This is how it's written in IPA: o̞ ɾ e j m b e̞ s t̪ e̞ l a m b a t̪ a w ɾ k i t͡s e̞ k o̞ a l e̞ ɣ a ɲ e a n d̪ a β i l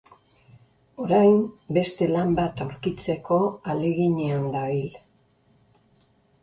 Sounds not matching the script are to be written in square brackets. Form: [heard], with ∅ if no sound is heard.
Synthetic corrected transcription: o̞ ɾ [a] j m b e̞ s t̪ e̞ l a m b a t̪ a w ɾ k i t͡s e̞ k o̞ a l e̞ ɣ [i] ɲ e a n d̪ a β i l